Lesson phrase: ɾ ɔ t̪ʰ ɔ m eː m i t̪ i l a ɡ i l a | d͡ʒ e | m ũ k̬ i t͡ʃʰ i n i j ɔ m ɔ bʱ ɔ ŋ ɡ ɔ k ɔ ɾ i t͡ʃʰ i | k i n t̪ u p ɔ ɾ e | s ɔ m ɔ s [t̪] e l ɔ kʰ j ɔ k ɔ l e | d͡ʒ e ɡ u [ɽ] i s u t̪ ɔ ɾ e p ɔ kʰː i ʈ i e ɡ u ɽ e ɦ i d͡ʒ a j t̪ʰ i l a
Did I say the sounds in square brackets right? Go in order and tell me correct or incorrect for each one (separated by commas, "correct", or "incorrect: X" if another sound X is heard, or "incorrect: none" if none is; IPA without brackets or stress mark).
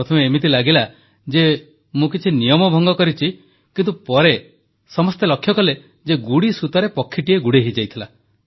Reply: correct, correct